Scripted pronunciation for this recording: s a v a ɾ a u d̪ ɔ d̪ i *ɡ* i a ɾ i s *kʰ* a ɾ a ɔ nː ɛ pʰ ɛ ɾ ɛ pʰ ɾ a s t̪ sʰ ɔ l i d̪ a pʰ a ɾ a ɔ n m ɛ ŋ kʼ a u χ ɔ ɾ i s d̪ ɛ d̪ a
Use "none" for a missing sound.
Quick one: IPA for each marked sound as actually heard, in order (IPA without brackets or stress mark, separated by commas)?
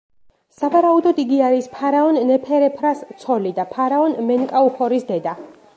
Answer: ɡ, pʰ